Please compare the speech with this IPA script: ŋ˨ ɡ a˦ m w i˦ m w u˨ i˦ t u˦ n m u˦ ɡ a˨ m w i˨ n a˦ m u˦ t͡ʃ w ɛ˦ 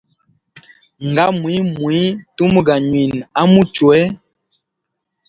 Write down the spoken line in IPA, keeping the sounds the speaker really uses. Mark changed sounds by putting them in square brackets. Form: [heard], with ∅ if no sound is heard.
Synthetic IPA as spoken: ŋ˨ ɡ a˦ m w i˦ m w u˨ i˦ t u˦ [∅] m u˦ ɡ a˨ [ɲ] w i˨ n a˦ m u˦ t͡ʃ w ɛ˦

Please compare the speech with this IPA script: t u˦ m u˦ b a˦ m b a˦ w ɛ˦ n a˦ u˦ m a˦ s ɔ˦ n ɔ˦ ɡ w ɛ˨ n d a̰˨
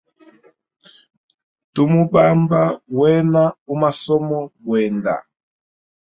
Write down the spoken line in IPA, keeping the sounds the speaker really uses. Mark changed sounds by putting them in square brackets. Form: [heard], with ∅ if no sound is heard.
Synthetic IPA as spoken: t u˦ m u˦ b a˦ m b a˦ w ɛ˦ n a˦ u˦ m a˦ s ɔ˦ [m] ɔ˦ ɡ w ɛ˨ n d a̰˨

